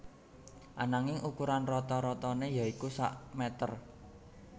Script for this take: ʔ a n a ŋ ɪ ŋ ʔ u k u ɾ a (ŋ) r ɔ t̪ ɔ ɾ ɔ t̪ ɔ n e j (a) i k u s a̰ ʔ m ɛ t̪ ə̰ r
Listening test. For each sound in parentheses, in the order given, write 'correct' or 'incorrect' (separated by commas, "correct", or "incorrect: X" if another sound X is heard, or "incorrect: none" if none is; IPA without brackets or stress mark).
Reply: incorrect: n, correct